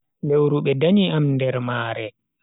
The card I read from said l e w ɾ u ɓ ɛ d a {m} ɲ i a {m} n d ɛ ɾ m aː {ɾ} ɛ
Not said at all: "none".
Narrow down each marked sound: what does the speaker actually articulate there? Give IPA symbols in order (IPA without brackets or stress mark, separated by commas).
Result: none, m, ɾ